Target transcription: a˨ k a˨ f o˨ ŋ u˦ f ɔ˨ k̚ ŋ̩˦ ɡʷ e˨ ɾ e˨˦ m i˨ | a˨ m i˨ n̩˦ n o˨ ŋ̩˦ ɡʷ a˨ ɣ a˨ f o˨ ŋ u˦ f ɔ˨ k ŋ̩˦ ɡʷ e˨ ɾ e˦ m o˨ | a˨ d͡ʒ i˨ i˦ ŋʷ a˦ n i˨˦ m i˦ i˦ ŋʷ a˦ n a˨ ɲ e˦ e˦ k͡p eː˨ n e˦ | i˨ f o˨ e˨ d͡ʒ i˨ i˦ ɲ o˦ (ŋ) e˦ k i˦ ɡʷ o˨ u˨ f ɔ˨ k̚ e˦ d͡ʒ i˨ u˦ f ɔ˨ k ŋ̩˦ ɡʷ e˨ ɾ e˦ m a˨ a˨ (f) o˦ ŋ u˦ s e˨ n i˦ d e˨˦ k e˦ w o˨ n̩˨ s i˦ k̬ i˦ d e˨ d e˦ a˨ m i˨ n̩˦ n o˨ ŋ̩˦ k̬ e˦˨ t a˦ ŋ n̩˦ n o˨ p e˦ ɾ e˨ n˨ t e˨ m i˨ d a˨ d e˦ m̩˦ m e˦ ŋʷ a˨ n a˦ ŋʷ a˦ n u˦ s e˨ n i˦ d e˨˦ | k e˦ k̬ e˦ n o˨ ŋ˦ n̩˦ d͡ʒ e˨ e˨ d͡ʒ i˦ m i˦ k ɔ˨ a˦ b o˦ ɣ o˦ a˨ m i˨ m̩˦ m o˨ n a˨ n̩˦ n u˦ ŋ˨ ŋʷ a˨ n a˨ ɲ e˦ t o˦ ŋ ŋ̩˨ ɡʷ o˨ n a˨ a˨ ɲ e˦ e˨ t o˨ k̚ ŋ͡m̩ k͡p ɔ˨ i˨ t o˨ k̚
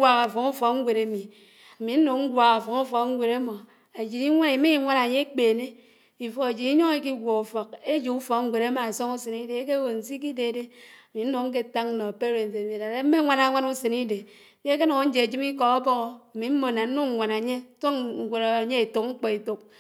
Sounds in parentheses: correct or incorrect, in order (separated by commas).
correct, incorrect